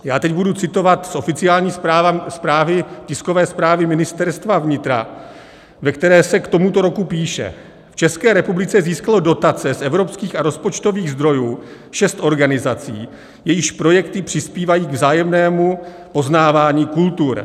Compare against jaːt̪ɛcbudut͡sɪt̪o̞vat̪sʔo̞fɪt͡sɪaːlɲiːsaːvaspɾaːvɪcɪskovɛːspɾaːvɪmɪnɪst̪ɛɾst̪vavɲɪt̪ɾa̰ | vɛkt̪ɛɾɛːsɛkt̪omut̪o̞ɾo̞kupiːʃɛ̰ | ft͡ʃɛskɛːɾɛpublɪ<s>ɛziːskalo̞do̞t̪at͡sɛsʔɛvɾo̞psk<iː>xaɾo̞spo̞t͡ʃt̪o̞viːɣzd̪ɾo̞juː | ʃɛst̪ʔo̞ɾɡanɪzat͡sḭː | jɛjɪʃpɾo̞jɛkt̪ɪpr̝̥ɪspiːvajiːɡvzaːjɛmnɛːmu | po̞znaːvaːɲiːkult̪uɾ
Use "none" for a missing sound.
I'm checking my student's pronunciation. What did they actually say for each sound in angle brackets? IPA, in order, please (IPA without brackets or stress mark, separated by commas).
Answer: t͡s, iː